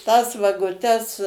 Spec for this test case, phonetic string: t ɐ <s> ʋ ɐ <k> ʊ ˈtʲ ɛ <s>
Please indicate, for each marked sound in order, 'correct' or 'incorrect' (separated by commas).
correct, incorrect, correct